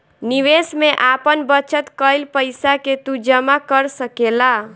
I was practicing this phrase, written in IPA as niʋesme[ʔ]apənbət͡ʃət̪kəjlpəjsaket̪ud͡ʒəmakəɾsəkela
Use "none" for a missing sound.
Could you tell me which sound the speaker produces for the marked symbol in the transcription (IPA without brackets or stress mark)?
ʔ